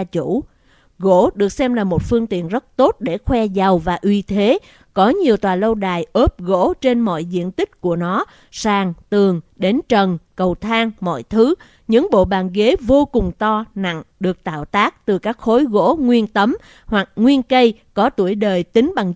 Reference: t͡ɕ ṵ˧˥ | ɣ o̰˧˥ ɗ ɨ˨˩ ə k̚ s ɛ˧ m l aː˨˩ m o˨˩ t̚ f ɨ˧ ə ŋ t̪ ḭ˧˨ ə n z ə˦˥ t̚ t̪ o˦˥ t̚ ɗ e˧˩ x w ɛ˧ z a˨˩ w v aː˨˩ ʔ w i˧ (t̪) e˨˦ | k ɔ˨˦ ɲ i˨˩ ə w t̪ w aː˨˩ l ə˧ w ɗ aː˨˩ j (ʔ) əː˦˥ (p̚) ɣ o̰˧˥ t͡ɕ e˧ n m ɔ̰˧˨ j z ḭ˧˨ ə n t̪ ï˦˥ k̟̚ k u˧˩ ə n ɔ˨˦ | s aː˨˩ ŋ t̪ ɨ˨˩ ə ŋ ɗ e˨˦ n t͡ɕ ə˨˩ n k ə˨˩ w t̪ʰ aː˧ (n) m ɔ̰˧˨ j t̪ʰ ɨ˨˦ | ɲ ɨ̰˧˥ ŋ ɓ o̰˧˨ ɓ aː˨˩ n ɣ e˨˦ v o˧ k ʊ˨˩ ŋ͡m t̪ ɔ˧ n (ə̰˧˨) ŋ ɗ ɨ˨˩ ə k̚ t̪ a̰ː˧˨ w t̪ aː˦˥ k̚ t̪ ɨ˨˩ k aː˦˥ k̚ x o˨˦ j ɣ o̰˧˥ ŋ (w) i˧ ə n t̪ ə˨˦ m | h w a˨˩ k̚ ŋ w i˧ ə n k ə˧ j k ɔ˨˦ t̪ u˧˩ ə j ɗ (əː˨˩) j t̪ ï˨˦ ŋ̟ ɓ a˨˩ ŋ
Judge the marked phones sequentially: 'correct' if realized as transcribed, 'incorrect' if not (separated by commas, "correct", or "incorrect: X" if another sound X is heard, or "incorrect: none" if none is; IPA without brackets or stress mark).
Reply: incorrect: t̪ʰ, correct, correct, incorrect: ŋ, incorrect: a̰˧˨, correct, correct